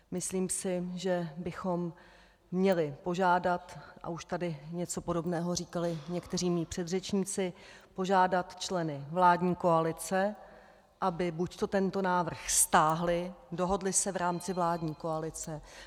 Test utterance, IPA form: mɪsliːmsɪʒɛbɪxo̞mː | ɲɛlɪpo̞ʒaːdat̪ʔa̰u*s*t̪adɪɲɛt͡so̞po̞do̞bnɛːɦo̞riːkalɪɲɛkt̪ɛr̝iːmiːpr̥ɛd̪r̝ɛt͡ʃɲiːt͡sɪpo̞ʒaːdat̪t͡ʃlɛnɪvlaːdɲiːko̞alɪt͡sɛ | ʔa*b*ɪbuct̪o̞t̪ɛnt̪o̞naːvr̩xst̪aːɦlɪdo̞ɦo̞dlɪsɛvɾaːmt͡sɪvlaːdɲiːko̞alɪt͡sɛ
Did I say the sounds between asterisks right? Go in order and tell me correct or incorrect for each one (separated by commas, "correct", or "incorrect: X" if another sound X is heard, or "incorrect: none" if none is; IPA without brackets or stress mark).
incorrect: ʃ, correct